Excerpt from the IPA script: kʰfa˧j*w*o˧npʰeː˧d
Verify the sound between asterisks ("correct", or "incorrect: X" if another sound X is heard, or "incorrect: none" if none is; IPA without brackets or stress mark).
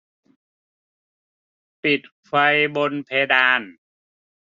incorrect: b